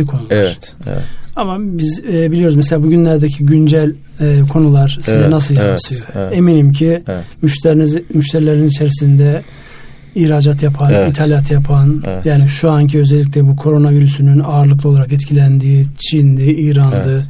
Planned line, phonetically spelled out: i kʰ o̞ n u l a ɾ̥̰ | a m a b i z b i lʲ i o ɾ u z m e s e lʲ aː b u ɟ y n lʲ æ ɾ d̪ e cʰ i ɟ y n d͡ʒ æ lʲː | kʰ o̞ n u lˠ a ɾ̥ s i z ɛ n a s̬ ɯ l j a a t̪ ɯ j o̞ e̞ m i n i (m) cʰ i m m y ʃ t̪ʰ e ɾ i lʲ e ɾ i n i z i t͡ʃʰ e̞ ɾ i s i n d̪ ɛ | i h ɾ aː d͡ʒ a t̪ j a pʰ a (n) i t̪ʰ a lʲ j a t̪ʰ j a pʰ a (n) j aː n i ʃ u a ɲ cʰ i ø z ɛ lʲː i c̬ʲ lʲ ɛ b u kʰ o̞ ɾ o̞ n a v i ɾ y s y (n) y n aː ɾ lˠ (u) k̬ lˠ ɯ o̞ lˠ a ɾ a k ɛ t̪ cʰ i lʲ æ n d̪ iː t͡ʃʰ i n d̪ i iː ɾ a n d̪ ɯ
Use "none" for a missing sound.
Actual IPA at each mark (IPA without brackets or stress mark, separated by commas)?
m, n, n, n, ɯ